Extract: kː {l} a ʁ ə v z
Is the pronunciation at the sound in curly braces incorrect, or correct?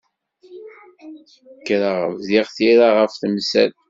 incorrect